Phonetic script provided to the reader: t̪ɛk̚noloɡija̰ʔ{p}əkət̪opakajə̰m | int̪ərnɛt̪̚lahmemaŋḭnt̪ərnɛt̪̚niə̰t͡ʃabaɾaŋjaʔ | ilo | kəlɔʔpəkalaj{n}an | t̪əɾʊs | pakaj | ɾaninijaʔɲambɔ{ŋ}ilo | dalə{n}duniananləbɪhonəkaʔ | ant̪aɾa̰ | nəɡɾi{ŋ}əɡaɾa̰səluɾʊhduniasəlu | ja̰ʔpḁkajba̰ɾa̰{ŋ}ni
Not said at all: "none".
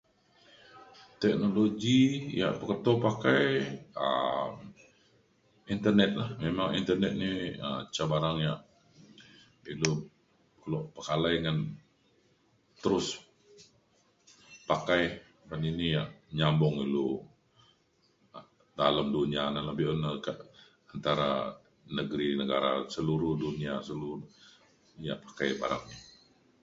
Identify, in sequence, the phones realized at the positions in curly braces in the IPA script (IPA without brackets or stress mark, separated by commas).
p, ŋ, ŋ, m, n, ŋ